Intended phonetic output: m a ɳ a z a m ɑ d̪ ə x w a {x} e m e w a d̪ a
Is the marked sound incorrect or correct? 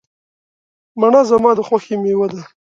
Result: correct